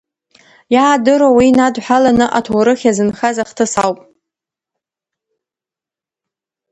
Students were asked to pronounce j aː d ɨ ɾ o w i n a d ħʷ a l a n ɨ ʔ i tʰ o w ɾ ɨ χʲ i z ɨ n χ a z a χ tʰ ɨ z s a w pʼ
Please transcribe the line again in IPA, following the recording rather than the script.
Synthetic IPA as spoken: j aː d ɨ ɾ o w i n a d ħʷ a l a n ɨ ʔ a tʰ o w ɾ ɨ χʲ a z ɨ n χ a z a χ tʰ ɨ s a w pʼ

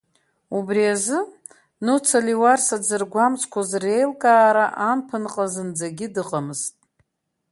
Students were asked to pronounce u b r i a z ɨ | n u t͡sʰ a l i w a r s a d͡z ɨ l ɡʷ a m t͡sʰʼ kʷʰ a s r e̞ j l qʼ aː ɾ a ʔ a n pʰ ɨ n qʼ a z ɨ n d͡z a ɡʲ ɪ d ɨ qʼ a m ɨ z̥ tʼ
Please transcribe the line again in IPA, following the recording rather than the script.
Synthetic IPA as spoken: u b r i a z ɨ | n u t͡sʰ a l i w a r s a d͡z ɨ r ɡʷ a m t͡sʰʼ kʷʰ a z r e̞ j l kʼ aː ɾ a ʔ a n pʰ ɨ n qʼ a z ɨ n d͡z a ɡʲ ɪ d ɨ qʼ a m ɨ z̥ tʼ

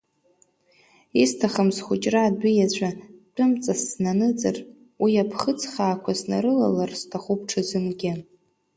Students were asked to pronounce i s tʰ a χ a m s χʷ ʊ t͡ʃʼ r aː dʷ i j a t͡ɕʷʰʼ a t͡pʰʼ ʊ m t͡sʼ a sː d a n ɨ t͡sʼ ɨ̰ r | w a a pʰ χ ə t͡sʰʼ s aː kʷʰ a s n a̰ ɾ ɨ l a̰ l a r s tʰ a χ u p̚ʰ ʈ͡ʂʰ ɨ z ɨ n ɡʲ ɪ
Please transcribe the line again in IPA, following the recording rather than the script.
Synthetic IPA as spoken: i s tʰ a χ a m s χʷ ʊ t͡ʃʼ r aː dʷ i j a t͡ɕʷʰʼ a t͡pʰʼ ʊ m t͡sʼ a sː n a n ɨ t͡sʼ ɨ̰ r | w i a pʰ χ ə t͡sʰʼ χ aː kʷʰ a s n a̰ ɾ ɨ l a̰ l a r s tʰ a χ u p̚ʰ ʈ͡ʂʰ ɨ z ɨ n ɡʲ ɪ

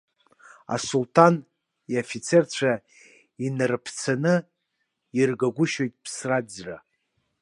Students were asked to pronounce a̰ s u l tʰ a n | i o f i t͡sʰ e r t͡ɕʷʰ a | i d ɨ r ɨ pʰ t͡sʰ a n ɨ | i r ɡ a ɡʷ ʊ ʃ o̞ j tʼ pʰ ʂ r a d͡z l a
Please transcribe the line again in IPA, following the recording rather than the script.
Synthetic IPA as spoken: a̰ s u l tʰ a n | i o f i t͡sʰ e r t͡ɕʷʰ a | i n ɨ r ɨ pʰ t͡sʰ a n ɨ | i r ɡ a ɡʷ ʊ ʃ o̞ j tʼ pʰ s r a d͡z r a

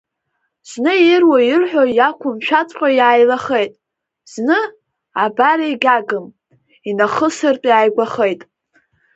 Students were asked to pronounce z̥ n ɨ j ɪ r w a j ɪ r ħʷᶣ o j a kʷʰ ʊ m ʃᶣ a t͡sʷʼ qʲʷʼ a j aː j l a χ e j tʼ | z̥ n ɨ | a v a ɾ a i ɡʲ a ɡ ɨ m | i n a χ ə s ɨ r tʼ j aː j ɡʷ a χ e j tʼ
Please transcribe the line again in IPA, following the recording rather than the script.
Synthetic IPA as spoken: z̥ n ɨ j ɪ r w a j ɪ r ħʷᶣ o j a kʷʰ ʊ m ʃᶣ a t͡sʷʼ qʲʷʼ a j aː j l a χ e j tʼ | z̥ n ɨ | a b a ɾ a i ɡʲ a ɡ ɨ m | i n a χ ə s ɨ r tʼ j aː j ɡʷ a χ e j tʼ

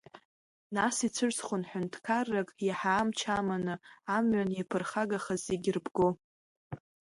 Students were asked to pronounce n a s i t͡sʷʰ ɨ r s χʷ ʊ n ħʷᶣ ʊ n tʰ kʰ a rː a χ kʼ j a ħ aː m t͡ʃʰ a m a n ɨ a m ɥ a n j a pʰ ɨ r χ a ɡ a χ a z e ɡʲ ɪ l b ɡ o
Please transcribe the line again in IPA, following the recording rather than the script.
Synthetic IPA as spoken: n a s i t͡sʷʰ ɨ r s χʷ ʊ n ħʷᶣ ʊ n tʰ kʰ a rː a kʼ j a ħ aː m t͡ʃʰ a m a n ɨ a m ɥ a n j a pʰ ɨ r χ a ɡ a χ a z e ɡʲ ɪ r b ɡ o

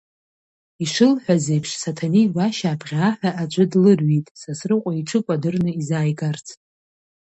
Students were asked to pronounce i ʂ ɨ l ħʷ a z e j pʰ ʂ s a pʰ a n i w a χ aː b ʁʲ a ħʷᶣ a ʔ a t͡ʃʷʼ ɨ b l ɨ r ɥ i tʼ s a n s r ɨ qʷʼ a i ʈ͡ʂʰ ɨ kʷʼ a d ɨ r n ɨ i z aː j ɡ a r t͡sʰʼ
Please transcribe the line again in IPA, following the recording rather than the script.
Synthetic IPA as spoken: i ʂ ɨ l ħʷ a z e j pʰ ʂ s a tʰ a n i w a ʃ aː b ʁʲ a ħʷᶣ a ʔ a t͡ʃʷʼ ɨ d l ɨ r ɥ i tʼ s a s r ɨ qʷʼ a i ʈ͡ʂʰ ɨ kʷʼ a d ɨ r n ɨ i z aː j ɡ a r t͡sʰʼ

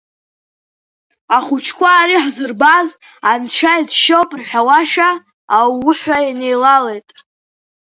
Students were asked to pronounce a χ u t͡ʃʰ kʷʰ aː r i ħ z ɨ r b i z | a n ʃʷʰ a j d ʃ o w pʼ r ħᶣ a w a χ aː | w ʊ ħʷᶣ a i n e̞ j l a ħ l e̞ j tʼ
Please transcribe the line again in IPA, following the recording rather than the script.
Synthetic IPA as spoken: a χ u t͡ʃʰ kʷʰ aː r i ħ z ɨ r b a z | a n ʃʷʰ a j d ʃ o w pʼ r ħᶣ a w a ʃ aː | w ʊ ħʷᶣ a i n e̞ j l a l e̞ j tʼ

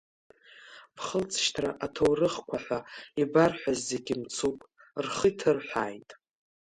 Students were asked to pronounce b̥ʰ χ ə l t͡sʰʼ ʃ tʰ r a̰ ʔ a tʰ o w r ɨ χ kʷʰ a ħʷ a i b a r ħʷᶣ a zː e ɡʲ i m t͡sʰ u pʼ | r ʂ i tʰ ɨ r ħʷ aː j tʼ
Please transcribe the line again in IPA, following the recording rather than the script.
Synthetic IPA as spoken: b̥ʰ χ ə l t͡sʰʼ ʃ tʰ r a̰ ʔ a tʰ o w r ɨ χ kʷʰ a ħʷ a i b a r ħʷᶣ a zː e ɡʲ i m t͡sʰ u pʼ | r χ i tʰ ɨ r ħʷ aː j tʼ

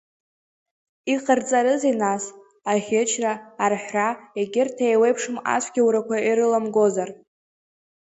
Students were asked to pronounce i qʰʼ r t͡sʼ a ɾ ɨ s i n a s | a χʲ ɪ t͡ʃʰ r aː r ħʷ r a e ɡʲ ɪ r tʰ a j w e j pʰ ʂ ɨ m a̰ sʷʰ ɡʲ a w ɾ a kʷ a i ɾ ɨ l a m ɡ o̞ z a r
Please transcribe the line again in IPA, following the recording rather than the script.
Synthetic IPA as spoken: i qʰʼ r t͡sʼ a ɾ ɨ z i n a s | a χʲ ɪ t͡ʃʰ r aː r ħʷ r a e ɡʲ ɪ r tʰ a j w e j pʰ ʂ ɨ m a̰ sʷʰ ɡʲ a w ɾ a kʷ a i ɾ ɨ l a m ɡ o̞ z a r

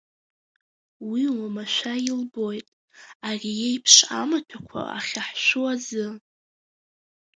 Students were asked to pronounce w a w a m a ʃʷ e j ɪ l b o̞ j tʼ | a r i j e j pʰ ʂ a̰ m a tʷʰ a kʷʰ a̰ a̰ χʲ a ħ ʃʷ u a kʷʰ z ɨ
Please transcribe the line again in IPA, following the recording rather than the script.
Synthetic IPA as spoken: w i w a m a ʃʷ a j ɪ l b o̞ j tʼ | a r i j e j pʰ ʂ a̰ m a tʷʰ a kʷʰ a̰ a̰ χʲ a ħ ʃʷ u a z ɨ

